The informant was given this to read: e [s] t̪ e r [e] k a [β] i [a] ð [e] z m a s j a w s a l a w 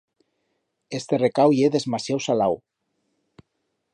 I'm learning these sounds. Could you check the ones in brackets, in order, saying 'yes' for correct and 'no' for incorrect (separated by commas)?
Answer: yes, yes, no, no, yes